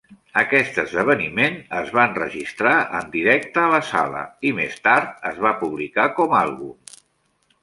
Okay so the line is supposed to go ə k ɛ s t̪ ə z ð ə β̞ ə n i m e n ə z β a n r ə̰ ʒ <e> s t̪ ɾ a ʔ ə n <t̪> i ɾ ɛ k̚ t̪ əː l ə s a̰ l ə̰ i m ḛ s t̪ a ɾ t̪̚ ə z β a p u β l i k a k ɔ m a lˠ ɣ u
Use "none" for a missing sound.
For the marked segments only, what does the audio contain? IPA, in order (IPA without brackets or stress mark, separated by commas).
i, d̪